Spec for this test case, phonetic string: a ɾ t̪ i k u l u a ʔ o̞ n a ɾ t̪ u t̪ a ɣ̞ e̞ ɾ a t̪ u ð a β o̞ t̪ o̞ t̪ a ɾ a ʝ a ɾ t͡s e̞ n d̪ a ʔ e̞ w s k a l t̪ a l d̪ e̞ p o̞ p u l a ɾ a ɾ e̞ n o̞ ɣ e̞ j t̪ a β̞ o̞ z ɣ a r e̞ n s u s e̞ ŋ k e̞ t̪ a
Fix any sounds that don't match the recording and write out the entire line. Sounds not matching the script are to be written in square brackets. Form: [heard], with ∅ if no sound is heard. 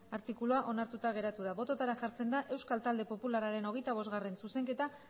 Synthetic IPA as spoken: a ɾ t̪ i k u l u a ʔ o̞ n a ɾ t̪ u t̪ a ɣ̞ e̞ ɾ a t̪ u ð a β o̞ t̪ o̞ t̪ a ɾ a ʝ a ɾ t͡s e̞ n d̪ a ʔ e̞ w s k a l t̪ a l d̪ e̞ p o̞ p u l a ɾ a ɾ e̞ n o̞ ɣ e̞ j t̪ a β̞ o̞ z ɣ a r e̞ n s u s e̞ ŋ k e̞ t̪ a